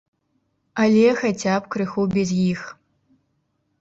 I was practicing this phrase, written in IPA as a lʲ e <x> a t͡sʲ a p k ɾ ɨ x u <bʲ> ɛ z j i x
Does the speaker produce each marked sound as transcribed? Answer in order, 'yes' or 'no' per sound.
yes, yes

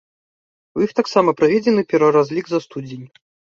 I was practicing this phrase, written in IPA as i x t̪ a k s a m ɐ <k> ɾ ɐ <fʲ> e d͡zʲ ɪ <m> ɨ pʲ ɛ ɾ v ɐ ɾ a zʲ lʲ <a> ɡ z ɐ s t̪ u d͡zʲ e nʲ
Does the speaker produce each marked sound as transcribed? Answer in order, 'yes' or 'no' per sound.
no, no, no, no

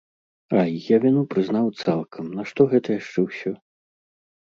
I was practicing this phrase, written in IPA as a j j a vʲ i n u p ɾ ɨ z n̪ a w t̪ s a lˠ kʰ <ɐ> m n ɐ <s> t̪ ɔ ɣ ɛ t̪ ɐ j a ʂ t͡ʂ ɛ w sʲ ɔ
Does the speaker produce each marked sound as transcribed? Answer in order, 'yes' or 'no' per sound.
yes, no

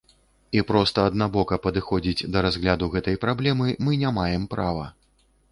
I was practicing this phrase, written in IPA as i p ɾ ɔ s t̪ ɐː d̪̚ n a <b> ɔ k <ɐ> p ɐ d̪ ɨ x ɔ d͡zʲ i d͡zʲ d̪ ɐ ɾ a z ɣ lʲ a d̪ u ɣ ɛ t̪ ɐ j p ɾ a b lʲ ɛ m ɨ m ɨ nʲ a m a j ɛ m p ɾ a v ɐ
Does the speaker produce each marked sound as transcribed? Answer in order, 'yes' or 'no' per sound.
yes, yes

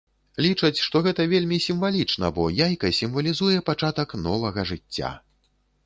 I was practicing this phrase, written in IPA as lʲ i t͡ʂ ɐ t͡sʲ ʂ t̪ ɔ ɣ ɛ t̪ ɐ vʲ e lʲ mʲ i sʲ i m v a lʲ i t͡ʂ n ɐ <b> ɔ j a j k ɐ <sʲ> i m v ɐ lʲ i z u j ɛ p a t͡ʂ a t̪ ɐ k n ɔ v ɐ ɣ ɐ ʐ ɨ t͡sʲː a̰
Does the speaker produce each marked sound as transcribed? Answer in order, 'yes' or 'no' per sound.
yes, yes

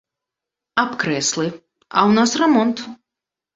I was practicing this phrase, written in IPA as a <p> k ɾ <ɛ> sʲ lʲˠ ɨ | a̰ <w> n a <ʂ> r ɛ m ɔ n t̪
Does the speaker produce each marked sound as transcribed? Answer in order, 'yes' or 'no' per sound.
yes, yes, yes, no

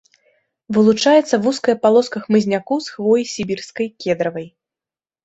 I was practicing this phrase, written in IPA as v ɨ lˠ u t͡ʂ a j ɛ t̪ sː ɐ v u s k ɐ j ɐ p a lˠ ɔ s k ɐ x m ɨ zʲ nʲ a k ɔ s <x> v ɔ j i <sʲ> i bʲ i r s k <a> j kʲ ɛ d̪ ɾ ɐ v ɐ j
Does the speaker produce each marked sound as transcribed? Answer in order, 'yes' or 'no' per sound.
yes, yes, no

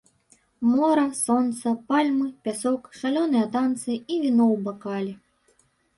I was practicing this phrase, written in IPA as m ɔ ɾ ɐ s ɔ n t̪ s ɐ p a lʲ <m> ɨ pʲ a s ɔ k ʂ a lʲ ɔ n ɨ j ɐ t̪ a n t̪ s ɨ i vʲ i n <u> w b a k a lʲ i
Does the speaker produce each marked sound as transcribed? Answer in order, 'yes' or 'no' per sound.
yes, no

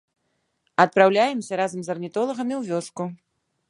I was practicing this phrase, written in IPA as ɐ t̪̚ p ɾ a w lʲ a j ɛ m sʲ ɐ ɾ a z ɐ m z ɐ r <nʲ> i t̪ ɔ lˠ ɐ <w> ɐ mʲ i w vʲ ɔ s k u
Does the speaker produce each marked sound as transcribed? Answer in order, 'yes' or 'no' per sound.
yes, no

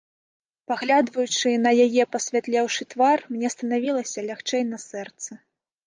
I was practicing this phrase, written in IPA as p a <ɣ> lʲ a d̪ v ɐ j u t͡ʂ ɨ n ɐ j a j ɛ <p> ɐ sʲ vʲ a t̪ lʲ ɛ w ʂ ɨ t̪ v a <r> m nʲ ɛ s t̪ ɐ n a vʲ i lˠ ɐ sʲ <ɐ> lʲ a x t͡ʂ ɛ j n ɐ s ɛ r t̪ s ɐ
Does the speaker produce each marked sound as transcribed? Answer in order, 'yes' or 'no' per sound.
yes, yes, yes, yes

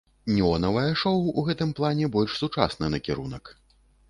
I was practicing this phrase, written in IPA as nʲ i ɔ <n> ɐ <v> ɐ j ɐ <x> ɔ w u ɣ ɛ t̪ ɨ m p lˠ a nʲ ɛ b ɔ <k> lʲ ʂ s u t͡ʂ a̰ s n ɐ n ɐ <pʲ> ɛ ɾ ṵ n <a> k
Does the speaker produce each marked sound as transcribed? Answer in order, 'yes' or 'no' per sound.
yes, yes, no, no, no, no

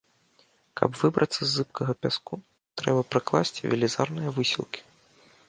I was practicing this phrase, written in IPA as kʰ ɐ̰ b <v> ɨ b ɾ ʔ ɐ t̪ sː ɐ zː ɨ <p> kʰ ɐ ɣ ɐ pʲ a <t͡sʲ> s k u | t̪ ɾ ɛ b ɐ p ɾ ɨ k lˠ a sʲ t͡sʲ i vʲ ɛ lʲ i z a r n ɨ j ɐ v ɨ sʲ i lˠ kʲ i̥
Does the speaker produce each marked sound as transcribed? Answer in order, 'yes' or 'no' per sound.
yes, yes, no

